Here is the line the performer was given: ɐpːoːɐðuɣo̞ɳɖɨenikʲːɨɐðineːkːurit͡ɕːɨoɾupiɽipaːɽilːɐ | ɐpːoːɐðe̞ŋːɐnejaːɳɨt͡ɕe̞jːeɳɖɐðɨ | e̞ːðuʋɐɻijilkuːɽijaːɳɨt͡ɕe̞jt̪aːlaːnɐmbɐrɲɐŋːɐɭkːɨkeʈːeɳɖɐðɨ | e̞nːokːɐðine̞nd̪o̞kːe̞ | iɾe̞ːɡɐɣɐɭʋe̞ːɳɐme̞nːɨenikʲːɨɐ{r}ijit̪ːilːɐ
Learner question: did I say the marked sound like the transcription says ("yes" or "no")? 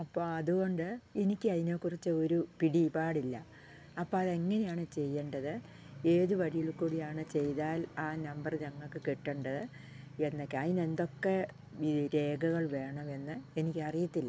yes